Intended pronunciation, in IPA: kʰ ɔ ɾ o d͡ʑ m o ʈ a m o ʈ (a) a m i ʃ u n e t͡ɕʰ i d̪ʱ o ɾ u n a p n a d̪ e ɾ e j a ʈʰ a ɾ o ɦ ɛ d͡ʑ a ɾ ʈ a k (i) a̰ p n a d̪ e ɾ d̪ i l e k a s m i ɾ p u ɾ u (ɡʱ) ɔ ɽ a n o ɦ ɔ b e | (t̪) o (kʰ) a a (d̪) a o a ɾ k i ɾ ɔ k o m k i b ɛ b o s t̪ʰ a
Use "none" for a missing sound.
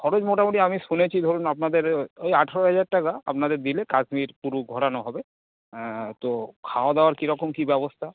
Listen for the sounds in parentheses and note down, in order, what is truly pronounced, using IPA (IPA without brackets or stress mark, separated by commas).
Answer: i, a, ɡʱ, t̪, kʰ, d̪